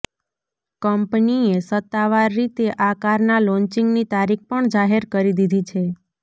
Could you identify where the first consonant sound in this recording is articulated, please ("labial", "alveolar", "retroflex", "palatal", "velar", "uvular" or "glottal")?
velar